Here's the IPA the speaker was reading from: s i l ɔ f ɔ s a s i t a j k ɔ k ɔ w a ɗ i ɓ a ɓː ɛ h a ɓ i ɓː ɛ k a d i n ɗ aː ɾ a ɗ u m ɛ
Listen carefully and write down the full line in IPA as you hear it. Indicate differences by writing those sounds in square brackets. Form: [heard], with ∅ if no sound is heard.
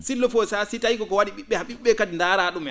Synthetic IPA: s i l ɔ f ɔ s a s i t a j k ɔ k ɔ w a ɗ i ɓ [i] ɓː ɛ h a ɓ i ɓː ɛ k a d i n [d] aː ɾ a ɗ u m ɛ

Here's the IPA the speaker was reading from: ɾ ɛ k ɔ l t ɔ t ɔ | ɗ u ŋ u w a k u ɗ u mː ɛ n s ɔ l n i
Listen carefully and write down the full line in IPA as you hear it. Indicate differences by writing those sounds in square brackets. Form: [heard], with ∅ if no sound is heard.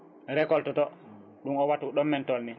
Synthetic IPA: ɾ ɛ k ɔ l t ɔ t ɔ | ɗ u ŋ [ɔ] w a [t] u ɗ [ɔ] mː ɛ n [t] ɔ l n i

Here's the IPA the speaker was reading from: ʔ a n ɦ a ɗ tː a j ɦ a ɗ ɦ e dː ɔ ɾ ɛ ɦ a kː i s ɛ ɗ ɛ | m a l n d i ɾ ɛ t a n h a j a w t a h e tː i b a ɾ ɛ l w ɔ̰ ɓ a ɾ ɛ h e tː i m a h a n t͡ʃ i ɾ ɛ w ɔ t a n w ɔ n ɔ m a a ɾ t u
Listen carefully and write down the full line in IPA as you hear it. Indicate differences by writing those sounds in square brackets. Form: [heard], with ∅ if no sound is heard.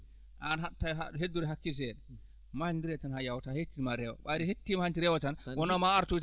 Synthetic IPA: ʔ a n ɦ a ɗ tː a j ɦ a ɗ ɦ e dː [u] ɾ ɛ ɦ a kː i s ɛ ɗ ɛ | m a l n d i ɾ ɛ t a n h a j a w t a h e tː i [m] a ɾ ɛ [∅] w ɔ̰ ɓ a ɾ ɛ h e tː i m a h a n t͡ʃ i ɾ ɛ w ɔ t a n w ɔ n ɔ m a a ɾ t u

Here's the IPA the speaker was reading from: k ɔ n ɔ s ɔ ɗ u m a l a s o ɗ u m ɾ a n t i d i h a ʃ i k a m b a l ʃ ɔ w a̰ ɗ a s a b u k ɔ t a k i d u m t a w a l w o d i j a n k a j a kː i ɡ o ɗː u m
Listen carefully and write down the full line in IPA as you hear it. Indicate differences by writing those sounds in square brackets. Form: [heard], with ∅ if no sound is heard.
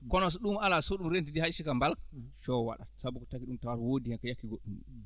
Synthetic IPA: k ɔ n ɔ s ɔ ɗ u m a l a s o ɗ u m ɾ [e] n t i d i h a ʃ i k a m b a l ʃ ɔ w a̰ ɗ a s a b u k ɔ t a k i [ɗ] u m t a w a [ɾ] w o d i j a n k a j a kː i ɡ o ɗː u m

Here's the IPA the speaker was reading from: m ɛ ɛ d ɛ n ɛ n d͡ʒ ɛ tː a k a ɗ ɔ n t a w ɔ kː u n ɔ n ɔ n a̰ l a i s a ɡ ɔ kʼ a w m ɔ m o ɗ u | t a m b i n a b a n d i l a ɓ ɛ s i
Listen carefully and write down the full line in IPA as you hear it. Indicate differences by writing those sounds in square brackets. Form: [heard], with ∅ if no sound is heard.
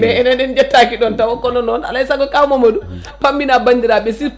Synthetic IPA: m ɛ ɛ [n] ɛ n ɛ n d͡ʒ ɛ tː a k [i] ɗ ɔ n t a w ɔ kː [ɔ] n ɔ n ɔ n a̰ l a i s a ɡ ɔ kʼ a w m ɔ m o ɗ u | [p] a m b i n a b a n d i [ɾ] a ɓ ɛ s i

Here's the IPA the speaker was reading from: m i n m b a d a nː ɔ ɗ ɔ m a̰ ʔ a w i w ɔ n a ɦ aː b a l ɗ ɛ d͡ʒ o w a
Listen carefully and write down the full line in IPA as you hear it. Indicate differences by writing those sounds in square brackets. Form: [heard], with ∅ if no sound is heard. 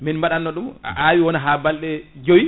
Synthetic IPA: m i n m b a [ɗ] a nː ɔ ɗ [u] m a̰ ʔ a w i w ɔ n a ɦ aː b a l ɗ ɛ d͡ʒ o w [i]

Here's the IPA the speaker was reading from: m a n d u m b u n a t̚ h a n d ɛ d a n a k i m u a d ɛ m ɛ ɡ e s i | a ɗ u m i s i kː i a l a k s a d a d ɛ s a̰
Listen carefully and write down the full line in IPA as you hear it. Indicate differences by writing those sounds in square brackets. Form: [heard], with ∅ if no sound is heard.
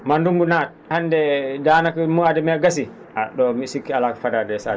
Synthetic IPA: m a n d u m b u n a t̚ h a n d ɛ d a n a k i m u a d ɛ m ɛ ɡ [a] s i | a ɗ [ɔ] m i s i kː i a l a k [f] a d a d ɛ s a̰

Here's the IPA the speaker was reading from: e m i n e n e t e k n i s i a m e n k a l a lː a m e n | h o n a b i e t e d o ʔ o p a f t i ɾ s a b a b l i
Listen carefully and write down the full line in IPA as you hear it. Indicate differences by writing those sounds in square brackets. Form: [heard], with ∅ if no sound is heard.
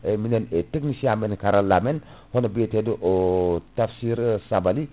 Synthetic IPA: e m i n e n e t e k n i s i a m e n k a [ɾ] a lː a m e n | h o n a b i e t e d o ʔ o [t] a f [s] i ɾ s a b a [∅] l i

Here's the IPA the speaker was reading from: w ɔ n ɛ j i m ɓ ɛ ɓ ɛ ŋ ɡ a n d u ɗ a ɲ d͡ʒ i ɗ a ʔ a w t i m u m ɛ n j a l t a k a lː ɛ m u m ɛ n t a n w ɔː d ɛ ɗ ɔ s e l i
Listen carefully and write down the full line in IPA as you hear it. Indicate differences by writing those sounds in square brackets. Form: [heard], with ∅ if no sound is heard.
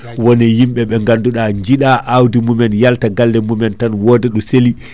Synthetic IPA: w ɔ n ɛ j i m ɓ ɛ ɓ ɛ ŋ ɡ a n d u ɗ a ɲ d͡ʒ i ɗ a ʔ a w [d] i m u m ɛ n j a l t a [ɡ] a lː ɛ m u m ɛ n t a n w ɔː d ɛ ɗ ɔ s e l i

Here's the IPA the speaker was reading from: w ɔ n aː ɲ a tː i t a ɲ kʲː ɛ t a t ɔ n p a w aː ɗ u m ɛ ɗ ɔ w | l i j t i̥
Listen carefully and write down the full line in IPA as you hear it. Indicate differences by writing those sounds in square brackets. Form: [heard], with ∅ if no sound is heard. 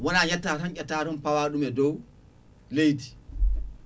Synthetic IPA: w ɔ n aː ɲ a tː [a] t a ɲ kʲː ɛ t a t ɔ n p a w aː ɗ u m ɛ [d] ɔ w | l [e] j t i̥

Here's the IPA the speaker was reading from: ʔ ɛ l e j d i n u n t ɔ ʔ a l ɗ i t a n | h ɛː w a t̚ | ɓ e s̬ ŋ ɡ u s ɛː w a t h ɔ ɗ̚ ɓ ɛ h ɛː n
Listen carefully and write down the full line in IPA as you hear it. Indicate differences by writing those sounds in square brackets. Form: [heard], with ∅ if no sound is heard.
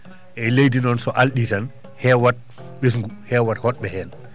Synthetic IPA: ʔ ɛ l e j d i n [ɔ] n [s] ɔ ʔ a l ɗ i t a n | h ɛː w a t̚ | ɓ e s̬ ŋ ɡ u [h] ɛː w a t h ɔ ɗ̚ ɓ ɛ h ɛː n

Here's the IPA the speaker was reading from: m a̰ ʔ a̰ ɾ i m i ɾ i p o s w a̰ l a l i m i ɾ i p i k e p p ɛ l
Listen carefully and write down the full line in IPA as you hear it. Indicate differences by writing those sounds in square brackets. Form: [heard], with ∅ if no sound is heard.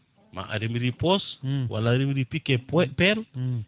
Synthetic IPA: m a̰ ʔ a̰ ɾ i m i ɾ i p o s w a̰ l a [ɾ] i m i ɾ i p i k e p p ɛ l

